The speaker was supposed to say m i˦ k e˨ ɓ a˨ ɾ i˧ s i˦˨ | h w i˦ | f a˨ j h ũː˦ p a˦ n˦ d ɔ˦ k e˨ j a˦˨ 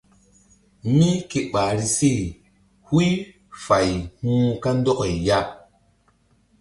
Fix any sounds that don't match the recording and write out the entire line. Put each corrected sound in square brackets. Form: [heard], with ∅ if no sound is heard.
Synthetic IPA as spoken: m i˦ k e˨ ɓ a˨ ɾ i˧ s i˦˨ | h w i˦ | f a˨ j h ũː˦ [k] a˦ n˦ d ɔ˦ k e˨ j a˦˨